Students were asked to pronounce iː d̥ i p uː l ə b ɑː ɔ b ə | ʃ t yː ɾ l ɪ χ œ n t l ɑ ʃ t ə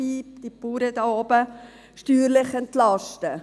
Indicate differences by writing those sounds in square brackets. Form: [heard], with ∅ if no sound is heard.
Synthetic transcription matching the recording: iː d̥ i p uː [ɾ] ə [d] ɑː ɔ b ə | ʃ t yː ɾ l ɪ χ [ɛ] n t l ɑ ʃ t ə